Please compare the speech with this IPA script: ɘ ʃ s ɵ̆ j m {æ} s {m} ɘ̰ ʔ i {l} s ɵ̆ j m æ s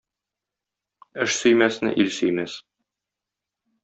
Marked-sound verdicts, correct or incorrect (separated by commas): correct, incorrect, correct